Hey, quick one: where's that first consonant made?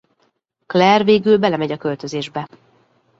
velum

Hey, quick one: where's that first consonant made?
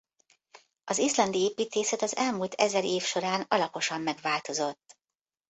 tongue tip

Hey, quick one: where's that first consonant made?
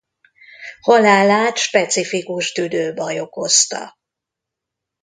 throat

